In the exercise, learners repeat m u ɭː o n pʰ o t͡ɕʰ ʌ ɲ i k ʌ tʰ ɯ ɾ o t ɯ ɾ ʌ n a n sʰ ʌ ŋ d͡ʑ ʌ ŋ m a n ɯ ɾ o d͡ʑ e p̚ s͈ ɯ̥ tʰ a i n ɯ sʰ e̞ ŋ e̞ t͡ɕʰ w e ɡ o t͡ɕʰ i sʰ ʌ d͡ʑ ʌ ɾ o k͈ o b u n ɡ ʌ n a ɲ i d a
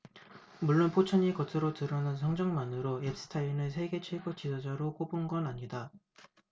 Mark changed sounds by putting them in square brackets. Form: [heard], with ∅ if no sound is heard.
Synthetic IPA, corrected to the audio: m u ɭː o n pʰ o t͡ɕʰ ʌ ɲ i k ʌ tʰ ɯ ɾ o t ɯ ɾ ʌ n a n sʰ ʌ ŋ d͡ʑ ʌ ŋ m a n ɯ ɾ o [∅] e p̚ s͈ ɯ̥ tʰ a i n ɯ sʰ e̞ [ɡ] e̞ t͡ɕʰ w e ɡ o [t͡ɕ] i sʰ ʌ d͡ʑ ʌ ɾ o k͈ o b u n ɡ ʌ n a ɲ i d a